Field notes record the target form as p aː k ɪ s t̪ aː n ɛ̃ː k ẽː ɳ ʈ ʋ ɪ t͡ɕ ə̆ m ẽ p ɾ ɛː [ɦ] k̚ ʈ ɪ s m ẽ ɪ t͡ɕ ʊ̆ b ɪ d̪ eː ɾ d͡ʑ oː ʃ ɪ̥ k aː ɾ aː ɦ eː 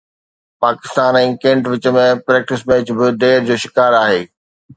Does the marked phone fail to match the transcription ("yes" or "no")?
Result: yes